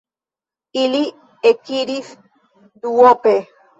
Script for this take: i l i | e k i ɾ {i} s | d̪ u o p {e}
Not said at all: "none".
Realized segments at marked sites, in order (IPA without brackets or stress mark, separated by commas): i, e